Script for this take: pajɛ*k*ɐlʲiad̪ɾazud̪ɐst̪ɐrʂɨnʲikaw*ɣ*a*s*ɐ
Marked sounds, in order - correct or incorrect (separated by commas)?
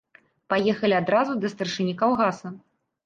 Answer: incorrect, correct, correct